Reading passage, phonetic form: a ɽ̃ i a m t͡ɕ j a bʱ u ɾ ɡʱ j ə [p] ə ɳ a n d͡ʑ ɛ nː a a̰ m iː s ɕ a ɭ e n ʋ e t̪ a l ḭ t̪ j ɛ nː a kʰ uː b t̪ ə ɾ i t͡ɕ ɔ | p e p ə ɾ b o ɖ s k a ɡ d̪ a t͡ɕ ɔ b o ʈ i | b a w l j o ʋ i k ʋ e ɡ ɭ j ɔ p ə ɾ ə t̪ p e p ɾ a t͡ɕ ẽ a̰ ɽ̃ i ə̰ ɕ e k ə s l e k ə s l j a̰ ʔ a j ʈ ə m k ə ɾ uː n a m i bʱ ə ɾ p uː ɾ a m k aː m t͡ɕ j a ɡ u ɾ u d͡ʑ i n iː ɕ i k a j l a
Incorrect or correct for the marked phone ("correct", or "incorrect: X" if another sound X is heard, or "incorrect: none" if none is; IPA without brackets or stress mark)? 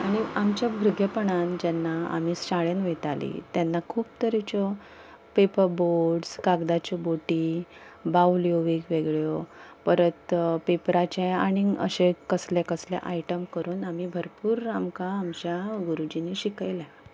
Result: correct